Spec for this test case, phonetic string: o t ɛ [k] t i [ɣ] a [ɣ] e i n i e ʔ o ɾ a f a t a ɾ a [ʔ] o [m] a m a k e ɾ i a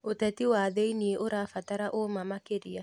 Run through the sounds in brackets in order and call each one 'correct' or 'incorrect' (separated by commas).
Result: incorrect, incorrect, incorrect, correct, correct